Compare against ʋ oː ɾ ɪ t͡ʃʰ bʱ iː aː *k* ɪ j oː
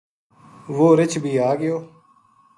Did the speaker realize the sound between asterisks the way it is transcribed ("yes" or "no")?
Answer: no